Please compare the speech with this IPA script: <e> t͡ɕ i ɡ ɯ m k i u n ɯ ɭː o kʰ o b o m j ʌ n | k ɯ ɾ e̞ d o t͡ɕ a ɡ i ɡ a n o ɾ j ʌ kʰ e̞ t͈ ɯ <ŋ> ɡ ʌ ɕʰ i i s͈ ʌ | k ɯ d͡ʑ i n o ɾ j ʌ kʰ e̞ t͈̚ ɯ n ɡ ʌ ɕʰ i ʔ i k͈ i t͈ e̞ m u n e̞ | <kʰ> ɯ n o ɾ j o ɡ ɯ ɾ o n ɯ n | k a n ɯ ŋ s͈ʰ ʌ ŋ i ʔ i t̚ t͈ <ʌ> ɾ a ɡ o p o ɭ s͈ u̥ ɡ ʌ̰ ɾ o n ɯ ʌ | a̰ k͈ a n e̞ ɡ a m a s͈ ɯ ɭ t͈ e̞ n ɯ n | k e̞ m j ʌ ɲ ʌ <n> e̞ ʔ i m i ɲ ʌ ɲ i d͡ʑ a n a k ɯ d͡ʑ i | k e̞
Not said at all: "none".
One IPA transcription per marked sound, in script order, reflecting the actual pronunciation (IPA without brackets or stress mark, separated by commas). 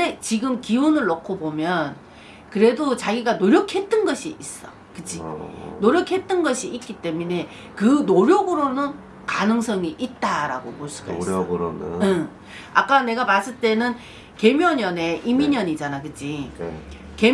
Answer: e, n, k, a, n